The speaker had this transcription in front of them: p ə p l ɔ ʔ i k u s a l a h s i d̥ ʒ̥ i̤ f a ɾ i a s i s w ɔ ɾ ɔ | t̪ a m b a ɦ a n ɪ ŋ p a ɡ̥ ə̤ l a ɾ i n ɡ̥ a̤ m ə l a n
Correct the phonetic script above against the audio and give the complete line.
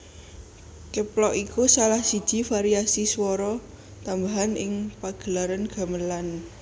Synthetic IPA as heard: k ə p l ɔ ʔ i k u s a l a h s i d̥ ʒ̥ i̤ f a ɾ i a s i s w ɔ ɾ ɔ | t̪ a m b a ɦ a n ɪ ŋ p a ɡ̥ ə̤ l a ɾ a n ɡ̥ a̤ m ə l a n